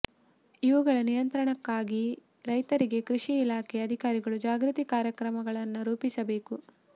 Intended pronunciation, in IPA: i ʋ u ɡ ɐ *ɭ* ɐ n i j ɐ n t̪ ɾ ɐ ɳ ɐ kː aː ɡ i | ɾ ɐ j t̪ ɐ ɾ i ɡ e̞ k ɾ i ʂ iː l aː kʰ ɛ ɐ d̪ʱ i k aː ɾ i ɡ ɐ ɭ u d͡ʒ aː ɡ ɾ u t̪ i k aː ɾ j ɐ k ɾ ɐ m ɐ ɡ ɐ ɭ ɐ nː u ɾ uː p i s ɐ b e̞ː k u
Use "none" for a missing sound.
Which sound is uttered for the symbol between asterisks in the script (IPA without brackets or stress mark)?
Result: ɭ